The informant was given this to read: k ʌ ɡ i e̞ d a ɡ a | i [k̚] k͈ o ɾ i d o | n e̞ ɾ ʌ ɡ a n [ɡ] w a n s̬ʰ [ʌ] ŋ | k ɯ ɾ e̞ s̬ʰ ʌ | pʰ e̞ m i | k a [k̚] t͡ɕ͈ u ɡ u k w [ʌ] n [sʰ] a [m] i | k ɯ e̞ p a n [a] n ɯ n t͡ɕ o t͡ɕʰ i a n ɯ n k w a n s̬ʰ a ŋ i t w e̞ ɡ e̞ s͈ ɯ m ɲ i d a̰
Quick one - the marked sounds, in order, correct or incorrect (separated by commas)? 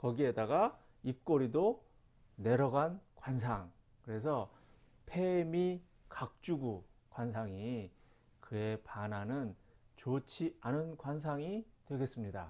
incorrect, incorrect, incorrect, correct, incorrect, correct, incorrect, correct